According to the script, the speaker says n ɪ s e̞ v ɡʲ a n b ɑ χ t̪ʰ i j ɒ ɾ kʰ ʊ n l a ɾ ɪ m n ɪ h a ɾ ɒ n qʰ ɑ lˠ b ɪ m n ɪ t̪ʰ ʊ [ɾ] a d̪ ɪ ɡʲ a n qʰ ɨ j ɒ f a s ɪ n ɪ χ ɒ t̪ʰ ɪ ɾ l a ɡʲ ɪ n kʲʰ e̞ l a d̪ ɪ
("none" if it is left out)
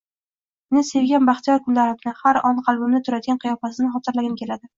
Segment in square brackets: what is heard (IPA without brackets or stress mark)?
ɾ